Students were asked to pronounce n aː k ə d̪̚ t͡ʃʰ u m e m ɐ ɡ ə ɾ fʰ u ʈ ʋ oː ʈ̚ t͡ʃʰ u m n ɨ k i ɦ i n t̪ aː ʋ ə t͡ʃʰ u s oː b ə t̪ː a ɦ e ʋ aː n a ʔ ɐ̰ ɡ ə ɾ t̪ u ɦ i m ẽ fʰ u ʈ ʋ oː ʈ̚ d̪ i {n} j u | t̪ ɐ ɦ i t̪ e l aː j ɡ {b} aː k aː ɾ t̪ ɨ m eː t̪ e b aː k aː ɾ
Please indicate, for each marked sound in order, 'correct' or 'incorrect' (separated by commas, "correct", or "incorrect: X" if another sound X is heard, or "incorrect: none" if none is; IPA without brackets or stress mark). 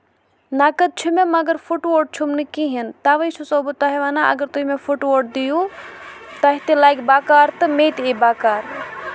incorrect: none, correct